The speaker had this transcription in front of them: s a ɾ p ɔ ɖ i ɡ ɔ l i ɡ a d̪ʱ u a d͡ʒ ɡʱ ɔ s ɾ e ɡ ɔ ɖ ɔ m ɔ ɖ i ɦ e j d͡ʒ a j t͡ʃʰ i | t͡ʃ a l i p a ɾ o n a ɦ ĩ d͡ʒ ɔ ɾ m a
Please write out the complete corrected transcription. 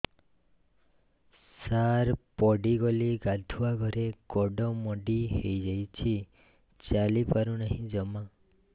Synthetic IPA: s a ɾ p ɔ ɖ i ɡ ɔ l i ɡ a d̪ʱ u a ɡʱ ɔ ɾ e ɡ ɔ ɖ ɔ m ɔ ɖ i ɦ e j d͡ʒ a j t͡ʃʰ i | t͡ʃ a l i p a ɾ u n a ɦ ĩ d͡ʒ ɔ m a